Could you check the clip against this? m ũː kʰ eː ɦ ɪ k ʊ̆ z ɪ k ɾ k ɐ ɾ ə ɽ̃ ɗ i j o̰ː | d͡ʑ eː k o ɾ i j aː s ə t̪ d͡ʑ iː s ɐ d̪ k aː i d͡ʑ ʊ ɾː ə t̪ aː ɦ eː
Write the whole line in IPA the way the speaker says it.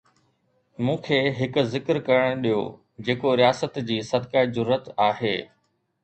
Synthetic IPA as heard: m ũː kʰ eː ɦ ɪ k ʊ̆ z ɪ k ɾ k ɐ ɾ ə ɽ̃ ɗ i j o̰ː | d͡ʑ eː k o ɾ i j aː s ə t̪ d͡ʑ iː s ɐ d̪ k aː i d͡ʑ ʊ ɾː ə t̪ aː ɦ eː